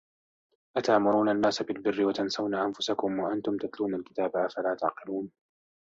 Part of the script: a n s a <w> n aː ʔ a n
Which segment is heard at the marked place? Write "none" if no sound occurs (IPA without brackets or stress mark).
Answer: w